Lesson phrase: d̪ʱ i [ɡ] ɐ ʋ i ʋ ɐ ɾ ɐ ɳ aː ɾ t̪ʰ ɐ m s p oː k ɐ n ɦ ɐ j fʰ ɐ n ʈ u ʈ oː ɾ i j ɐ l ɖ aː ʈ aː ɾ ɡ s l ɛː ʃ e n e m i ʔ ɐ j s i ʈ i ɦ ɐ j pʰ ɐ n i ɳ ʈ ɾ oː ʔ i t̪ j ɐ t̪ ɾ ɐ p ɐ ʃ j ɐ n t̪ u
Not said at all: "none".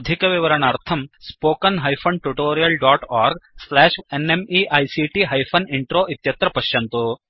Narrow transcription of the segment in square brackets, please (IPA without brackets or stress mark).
k